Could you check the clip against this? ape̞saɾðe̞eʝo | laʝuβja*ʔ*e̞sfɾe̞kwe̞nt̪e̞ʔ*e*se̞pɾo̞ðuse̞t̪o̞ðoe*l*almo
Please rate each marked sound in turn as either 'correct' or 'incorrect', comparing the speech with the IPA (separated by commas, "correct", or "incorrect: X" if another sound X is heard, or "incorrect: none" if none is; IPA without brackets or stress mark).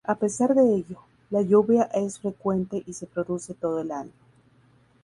correct, incorrect: i, correct